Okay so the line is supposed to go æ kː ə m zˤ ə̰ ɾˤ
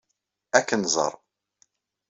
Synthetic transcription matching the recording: æ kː ə n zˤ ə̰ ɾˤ